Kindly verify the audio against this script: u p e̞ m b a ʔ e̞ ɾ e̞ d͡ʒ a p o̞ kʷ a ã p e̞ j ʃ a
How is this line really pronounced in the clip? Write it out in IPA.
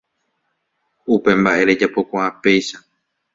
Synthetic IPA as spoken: u p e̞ m b a ʔ e̞ ɾ e̞ d͡ʒ a p o̞ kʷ a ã p e̞ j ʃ a